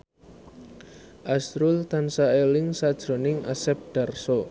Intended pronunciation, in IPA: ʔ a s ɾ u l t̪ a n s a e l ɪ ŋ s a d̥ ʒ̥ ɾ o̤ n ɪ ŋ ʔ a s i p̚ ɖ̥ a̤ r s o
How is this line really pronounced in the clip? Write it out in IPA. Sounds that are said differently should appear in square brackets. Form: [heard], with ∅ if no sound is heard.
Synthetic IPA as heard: ʔ a s ɾ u l t̪ a n s a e l ɪ ŋ s a d̥ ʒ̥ ɾ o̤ n ɪ ŋ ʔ a s [ɛ] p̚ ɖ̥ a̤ r s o